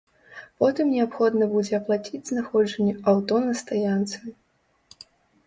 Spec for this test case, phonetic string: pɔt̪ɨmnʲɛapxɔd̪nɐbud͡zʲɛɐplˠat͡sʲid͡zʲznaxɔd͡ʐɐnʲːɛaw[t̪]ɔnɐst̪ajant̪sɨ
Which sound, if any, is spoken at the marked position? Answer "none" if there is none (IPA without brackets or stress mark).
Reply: t̪